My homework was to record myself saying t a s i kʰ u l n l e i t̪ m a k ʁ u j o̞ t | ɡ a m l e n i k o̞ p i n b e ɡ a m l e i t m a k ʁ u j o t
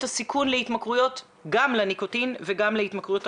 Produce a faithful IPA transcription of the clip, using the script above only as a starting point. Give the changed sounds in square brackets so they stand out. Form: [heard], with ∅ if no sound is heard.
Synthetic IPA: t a s i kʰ u [∅] n l e i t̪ m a k ʁ u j o̞ t | ɡ a m l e n i k o̞ [t] i n [v] e ɡ a m l e i t m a k ʁ u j o t